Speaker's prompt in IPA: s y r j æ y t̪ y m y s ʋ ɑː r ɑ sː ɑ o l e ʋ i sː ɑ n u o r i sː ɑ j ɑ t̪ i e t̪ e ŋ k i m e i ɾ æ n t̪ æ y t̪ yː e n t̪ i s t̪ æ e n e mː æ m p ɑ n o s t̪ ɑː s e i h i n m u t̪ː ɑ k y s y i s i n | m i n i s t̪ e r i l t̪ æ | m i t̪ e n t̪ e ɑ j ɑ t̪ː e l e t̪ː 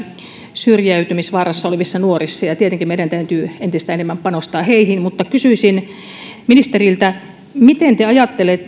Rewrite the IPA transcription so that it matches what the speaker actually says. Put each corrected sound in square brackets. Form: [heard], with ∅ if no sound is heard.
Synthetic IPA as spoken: s y r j æ y t̪ y m [i] s ʋ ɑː r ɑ sː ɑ o l e ʋ i sː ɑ n u o r i sː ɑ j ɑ t̪ i e t̪ e ŋ k i m e i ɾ æ n t̪ æ y t̪ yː e n t̪ i s t̪ æ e n e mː æ m p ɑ n o s t̪ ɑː [h] e i h i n m u t̪ː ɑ k y s y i s i n | m i n i s t̪ e r i l t̪ æ | m i t̪ e n t̪ e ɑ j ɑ t̪ː e l e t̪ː